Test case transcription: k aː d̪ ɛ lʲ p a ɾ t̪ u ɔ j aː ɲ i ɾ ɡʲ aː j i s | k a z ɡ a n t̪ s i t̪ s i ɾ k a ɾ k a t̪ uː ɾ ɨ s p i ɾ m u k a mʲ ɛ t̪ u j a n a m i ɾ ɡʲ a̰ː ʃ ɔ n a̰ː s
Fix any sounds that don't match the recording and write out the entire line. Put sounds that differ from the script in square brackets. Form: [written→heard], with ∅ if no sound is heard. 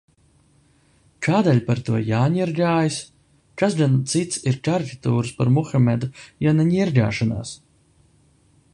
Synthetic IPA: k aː d̪ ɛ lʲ p a ɾ t̪ u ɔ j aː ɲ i ɾ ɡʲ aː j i s | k a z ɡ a n t̪ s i t̪ s i ɾ k a ɾ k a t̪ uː ɾ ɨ s p [i→a] ɾ m u [k→x] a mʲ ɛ [t̪→d̪] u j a n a [m→ɲ] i ɾ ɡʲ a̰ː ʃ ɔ n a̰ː s

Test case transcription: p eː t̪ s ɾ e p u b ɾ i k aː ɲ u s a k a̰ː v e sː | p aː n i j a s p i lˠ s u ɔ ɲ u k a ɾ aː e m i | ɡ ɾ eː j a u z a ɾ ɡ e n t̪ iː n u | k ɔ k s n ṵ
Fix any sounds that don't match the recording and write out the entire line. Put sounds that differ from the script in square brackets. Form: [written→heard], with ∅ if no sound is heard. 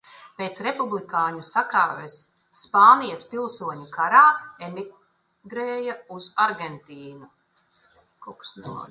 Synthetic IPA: p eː t̪ s ɾ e p u b [ɾ→l] i k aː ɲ u s a k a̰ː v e sː | p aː n i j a s p i lˠ s u ɔ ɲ u k a ɾ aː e m i | ɡ ɾ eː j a u z a ɾ ɡ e n t̪ iː n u | k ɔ k s n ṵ

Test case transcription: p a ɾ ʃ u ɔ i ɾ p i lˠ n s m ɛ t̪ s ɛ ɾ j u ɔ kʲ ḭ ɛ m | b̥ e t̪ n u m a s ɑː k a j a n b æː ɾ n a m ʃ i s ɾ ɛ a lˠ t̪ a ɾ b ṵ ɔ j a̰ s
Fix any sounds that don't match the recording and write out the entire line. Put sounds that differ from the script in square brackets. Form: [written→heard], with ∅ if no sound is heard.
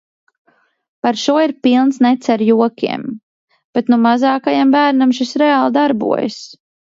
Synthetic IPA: p a ɾ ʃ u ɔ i ɾ p i lˠ n s [m→n] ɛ t̪ s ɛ ɾ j u ɔ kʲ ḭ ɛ m | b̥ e t̪ n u m a [s→z] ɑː k a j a [n→m] b æː ɾ n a m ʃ i s ɾ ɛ a lˠ [t̪→d̪] a ɾ b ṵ ɔ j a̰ s

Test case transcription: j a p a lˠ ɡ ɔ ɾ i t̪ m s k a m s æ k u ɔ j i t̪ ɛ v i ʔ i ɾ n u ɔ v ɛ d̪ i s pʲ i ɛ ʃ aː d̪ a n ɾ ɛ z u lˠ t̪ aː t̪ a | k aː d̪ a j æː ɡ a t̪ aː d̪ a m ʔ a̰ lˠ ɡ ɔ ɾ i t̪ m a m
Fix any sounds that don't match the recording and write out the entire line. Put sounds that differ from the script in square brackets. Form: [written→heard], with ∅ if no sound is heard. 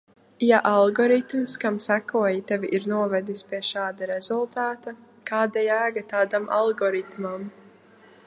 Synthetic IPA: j a [p→ʔ] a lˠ ɡ ɔ ɾ i t̪ m s k a m s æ k u ɔ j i t̪ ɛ v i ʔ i ɾ n u ɔ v ɛ d̪ i s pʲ i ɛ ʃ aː d̪ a [n→∅] ɾ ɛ z u lˠ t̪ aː t̪ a | k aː d̪ a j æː ɡ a t̪ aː d̪ a m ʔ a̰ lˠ ɡ ɔ ɾ i t̪ m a m

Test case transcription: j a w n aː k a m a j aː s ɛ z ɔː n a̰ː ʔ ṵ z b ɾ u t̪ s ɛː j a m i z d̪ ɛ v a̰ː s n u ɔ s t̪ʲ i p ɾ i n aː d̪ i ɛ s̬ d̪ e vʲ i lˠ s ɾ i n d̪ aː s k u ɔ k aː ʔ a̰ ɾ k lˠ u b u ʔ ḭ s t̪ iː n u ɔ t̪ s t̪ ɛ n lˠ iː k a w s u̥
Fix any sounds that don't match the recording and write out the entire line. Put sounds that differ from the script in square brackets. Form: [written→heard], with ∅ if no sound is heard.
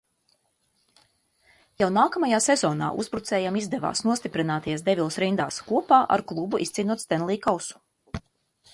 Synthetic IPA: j a w n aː k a m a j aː s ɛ z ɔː n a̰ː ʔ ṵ z b ɾ u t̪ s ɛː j a m i z d̪ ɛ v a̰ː s n u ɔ s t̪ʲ i p ɾ i n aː [d̪→t̪] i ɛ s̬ d̪ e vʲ i lˠ s ɾ i n d̪ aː s k u ɔ [k→p] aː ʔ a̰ ɾ k lˠ u b u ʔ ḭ s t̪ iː n u ɔ t̪ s t̪ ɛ n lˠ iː k a w s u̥

